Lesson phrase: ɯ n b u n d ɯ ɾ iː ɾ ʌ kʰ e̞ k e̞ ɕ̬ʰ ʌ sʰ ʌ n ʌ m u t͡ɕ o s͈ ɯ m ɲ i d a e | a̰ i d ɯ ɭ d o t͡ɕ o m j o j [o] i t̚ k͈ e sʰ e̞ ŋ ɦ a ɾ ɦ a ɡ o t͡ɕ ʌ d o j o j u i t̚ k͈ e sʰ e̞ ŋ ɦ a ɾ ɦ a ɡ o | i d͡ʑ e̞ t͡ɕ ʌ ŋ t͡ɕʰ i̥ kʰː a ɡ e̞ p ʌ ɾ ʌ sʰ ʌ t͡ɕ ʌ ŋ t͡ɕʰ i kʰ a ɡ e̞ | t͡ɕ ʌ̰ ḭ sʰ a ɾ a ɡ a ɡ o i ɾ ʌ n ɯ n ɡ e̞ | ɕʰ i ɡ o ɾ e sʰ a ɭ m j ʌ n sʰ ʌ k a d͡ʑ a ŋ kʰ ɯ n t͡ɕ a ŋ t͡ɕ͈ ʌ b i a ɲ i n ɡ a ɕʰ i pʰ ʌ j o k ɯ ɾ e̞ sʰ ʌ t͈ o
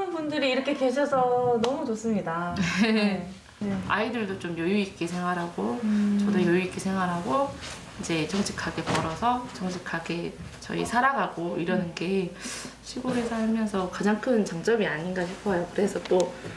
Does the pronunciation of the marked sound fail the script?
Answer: yes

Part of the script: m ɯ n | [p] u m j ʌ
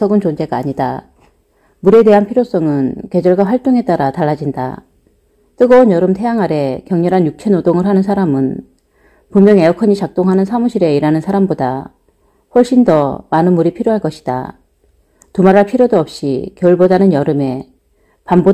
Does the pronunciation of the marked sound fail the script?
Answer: no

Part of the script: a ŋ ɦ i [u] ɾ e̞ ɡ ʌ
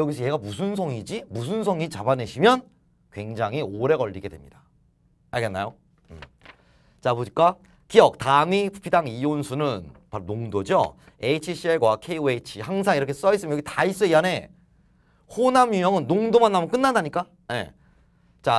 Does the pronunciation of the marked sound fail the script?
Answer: yes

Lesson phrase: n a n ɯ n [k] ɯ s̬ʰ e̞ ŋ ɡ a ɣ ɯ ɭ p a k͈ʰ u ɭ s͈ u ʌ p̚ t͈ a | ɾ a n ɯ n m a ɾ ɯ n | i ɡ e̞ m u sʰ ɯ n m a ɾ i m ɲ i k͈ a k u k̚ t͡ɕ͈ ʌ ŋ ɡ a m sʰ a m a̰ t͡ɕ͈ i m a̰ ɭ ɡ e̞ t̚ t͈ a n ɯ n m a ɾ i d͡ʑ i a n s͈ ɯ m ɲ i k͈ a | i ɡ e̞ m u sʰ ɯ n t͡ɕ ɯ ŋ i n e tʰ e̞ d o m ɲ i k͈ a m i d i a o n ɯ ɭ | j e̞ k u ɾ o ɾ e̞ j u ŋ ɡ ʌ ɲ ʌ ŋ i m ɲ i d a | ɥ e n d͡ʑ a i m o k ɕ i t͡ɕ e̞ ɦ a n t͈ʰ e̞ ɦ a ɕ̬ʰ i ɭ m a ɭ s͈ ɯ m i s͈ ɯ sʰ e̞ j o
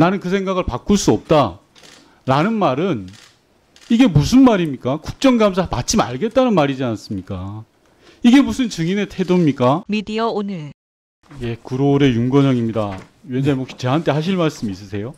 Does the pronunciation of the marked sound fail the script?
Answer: no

